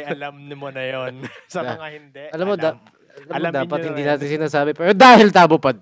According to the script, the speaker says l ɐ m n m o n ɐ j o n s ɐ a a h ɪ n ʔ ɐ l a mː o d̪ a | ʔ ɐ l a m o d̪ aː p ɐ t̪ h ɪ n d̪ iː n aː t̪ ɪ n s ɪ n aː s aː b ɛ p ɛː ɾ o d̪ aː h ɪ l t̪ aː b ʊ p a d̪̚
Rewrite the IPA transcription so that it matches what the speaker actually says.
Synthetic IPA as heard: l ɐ m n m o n ɐ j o n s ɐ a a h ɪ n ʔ ɐ l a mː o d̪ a | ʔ ɐ l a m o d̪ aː p ɐ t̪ h ɪ n d̪ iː n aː t̪ ɪ n s ɪ n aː s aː b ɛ p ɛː ɾ o d̪ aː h ɪ l t̪ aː b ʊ p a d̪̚